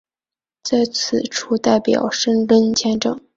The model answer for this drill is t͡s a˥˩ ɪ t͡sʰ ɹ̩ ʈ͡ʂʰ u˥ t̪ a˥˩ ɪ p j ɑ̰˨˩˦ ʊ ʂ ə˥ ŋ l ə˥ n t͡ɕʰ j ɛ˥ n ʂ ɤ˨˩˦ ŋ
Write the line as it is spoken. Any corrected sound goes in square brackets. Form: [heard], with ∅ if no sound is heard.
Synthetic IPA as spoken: t͡s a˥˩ ɪ t͡sʰ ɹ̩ ʈ͡ʂʰ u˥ t̪ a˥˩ ɪ p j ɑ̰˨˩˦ ʊ ʂ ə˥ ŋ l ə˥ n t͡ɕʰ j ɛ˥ n [ʈ͡ʂ] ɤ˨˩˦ ŋ